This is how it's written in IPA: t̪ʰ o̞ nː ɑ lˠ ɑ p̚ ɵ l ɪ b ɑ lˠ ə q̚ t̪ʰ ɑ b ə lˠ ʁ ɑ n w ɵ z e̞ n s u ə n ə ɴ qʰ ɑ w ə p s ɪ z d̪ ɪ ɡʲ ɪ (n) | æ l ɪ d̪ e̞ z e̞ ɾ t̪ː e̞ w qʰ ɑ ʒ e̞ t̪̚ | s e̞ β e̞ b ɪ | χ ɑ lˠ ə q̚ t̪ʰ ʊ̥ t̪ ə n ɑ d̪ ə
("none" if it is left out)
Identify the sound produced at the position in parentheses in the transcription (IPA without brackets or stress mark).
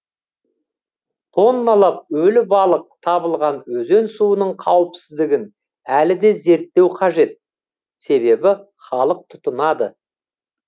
n